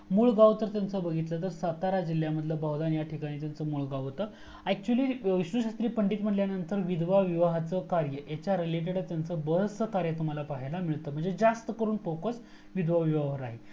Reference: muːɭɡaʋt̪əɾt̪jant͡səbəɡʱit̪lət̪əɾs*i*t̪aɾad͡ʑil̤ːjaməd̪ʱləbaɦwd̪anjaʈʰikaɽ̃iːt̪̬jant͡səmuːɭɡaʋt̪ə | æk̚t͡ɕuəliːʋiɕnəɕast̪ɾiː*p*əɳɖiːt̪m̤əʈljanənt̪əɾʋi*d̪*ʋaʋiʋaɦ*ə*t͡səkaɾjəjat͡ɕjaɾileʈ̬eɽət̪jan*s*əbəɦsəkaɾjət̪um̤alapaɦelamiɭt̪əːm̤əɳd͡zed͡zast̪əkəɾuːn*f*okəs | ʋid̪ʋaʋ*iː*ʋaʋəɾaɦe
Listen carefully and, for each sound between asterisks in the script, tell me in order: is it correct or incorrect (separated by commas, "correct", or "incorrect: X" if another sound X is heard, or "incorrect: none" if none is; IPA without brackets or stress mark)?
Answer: incorrect: a, correct, correct, incorrect: a, incorrect: t͡s, correct, incorrect: i